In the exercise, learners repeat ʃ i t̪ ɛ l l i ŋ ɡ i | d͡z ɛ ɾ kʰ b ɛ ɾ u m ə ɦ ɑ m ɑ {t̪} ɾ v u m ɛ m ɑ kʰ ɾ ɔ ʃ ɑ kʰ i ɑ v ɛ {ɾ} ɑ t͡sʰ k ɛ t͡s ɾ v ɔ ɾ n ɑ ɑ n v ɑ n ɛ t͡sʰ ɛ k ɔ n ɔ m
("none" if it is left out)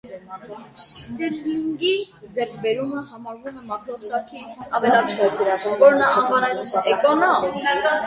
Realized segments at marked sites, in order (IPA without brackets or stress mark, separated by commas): none, l